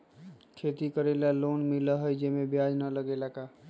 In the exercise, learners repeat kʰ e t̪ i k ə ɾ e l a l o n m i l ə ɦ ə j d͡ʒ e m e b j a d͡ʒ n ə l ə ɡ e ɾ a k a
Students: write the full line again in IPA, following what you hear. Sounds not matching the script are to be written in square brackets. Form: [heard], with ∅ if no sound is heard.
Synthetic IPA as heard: kʰ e t̪ i k ə ɾ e l a l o n m i l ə ɦ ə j d͡ʒ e m e b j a d͡ʒ n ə l ə ɡ e [l] a k a